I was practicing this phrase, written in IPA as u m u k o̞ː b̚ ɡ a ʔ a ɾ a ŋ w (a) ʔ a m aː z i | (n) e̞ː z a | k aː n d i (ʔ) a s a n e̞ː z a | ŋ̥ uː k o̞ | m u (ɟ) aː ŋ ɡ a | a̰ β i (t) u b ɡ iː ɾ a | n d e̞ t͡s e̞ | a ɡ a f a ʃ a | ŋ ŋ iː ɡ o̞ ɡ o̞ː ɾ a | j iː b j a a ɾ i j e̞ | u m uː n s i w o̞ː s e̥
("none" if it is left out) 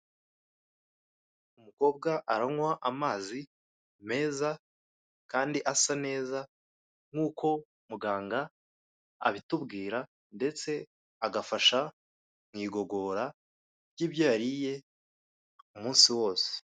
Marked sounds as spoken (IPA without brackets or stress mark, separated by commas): a, m, ʔ, ɡ, t